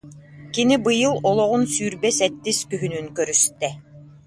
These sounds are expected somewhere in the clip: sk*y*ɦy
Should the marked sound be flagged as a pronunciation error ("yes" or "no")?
no